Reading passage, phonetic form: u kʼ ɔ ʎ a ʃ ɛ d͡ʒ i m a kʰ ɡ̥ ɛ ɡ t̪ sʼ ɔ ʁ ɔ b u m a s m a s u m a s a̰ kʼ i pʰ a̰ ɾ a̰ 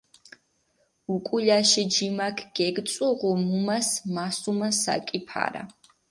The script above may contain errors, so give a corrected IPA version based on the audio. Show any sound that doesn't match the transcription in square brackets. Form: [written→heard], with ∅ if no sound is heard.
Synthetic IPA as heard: u kʼ [ɔ→u] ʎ a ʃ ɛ d͡ʒ i m a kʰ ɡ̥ ɛ ɡ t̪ sʼ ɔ ʁ ɔ [b→m] u m a s m a s u m a s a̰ kʼ i pʰ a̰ ɾ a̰